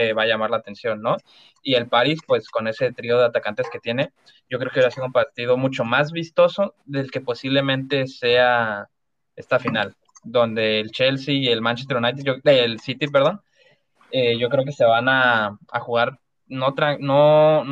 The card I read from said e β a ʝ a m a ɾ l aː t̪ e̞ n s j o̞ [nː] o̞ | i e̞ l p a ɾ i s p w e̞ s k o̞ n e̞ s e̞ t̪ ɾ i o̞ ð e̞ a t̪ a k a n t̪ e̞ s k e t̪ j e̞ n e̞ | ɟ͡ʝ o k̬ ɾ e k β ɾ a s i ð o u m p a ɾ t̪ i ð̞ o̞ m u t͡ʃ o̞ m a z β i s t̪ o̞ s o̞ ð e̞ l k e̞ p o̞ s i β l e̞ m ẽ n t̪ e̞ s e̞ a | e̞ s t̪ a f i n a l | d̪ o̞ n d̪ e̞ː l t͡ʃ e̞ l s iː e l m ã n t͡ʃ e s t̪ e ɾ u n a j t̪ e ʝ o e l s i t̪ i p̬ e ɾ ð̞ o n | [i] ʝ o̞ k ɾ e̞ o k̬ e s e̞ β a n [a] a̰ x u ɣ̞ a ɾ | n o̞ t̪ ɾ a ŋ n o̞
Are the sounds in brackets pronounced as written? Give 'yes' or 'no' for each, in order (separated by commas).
yes, no, yes